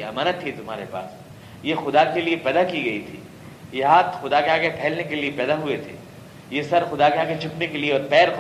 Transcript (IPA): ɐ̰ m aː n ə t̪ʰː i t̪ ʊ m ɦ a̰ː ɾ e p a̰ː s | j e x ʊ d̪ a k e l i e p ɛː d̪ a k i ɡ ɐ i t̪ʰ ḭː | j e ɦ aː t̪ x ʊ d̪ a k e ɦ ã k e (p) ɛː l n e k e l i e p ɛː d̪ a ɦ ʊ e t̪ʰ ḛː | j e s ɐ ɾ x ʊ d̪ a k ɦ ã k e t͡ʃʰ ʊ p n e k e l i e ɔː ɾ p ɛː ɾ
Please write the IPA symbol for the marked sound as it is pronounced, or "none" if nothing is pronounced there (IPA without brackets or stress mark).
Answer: pʰ